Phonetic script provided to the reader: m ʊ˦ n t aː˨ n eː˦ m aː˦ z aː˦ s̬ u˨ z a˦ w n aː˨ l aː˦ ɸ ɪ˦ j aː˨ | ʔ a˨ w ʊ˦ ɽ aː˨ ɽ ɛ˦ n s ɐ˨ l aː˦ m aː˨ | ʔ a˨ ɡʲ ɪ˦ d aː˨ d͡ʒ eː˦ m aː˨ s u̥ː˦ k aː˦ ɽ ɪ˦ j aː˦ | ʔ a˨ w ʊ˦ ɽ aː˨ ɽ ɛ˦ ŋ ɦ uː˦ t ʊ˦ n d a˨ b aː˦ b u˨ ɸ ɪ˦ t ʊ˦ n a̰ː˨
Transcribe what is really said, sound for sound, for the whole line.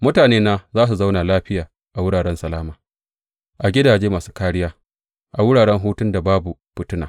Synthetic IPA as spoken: m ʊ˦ t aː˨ n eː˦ n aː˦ z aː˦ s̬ u˨ z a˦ w n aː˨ l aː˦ ɸ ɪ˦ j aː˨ | ʔ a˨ w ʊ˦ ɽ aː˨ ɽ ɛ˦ n s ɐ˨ l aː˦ m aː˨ | ʔ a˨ ɡʲ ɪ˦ d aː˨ d͡ʒ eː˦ m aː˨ s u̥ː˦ k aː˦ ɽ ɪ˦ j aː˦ | ʔ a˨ w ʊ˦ ɽ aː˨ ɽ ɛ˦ ŋ ɦ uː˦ t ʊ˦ n d a˨ b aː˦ b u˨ ɸ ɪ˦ t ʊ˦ n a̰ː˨

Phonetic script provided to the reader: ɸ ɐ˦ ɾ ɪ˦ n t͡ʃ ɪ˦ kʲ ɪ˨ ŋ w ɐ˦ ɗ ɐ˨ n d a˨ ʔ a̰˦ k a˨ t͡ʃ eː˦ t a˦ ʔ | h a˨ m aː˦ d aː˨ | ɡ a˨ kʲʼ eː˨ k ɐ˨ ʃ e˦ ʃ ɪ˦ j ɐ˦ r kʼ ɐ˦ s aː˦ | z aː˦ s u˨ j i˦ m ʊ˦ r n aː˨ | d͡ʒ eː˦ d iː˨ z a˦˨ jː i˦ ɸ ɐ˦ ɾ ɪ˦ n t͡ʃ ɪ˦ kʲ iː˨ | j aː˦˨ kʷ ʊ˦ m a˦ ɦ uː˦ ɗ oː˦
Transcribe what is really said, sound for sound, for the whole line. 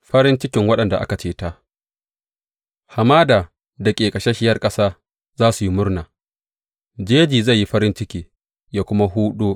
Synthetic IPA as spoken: ɸ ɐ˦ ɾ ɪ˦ n t͡ʃ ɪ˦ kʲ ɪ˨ ŋ w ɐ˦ ɗ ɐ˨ n d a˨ ʔ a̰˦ k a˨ t͡ʃ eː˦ t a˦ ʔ | h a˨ m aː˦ d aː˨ | d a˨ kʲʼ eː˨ kʼ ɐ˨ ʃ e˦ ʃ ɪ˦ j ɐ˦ r kʼ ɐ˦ s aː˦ | z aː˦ s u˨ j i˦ m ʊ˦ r n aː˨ | d͡ʒ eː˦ d͡ʒ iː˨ z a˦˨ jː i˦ ɸ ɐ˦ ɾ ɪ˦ n t͡ʃ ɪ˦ kʲ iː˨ | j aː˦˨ kʷ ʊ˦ m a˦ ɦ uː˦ ɗ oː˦

